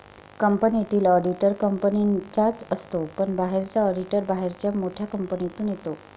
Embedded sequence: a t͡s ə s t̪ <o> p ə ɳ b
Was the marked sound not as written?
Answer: no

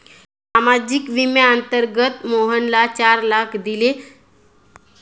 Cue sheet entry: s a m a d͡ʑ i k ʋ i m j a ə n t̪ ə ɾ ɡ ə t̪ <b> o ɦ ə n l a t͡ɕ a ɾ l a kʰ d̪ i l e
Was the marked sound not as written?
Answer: yes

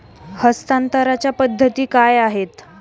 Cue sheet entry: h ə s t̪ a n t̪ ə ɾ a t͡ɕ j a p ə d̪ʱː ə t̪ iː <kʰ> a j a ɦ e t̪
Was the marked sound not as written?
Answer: yes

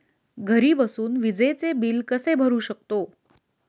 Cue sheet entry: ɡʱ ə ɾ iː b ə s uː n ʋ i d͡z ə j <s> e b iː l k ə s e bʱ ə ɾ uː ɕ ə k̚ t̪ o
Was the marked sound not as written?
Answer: yes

